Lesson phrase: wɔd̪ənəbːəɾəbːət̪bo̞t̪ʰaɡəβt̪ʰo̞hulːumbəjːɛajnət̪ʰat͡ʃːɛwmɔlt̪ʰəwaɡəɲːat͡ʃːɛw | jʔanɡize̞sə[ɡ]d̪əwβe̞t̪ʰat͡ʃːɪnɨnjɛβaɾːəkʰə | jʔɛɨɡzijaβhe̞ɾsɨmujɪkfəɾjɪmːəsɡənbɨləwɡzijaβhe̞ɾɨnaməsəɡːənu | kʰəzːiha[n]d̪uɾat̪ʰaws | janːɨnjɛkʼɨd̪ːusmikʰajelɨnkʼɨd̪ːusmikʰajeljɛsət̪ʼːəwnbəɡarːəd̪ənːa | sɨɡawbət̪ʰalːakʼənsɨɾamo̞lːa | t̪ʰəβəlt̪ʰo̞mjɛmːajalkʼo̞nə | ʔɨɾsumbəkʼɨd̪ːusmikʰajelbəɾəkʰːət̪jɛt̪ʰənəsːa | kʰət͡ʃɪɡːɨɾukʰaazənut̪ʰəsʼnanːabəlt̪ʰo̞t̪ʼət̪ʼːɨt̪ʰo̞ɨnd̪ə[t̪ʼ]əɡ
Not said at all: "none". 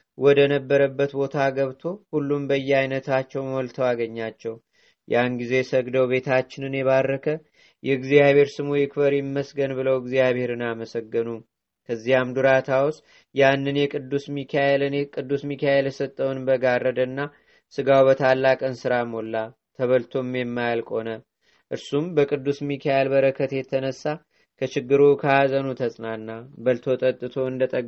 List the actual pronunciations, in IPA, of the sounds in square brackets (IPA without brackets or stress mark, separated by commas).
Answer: ɡ, m, t̪ʼ